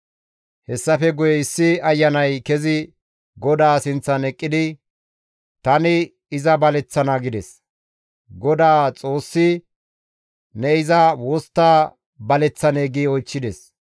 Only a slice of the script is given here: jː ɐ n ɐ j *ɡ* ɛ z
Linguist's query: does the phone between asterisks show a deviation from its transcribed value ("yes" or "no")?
yes